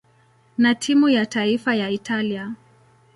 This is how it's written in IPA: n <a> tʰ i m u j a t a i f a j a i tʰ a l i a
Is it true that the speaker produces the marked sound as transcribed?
yes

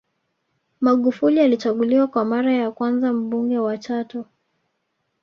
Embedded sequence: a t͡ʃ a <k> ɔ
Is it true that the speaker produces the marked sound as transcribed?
no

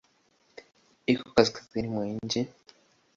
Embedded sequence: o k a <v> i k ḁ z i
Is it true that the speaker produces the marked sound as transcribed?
no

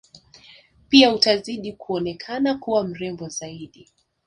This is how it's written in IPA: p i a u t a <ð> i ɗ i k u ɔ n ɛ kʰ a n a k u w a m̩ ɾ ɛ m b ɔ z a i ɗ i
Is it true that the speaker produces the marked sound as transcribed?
no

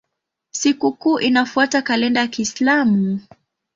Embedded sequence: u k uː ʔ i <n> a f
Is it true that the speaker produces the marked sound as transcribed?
yes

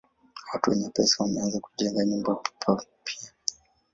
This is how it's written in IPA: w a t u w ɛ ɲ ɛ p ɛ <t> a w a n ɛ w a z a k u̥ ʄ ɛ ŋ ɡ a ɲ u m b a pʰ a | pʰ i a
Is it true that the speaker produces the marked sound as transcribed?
no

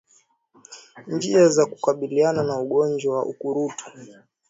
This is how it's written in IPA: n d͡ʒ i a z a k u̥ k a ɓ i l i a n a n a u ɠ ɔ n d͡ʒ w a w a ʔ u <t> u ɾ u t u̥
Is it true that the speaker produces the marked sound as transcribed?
no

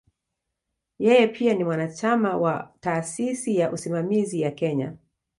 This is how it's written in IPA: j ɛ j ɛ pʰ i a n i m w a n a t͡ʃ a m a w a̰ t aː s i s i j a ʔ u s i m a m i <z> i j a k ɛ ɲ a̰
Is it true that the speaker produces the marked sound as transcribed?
yes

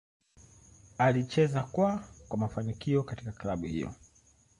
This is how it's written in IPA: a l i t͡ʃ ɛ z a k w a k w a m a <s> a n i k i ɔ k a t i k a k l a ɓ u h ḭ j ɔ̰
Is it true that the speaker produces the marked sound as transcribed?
no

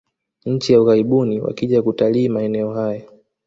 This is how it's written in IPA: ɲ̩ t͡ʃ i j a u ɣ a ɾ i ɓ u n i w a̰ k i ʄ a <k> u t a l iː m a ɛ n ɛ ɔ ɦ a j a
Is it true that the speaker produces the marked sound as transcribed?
yes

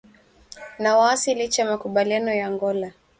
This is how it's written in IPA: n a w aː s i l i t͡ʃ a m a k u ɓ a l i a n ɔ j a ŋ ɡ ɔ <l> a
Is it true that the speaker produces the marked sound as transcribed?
yes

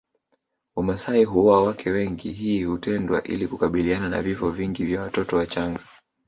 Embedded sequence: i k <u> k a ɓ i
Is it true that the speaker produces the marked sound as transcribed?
yes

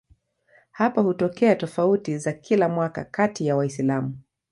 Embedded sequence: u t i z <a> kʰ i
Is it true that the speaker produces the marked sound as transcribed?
yes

